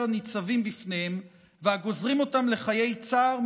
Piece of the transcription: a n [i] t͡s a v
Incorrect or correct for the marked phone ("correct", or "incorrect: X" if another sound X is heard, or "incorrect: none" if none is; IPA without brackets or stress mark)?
correct